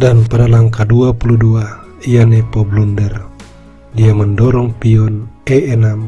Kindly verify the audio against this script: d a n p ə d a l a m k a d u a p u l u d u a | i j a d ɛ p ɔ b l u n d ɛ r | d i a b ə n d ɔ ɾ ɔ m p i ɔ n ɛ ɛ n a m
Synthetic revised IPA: d a n p a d a l a ŋ k a d u a p u l u d u a | i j a n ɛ p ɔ b l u n d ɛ r | d i a m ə n d ɔ ɾ ɔ ŋ p i ɔ n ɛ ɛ n a m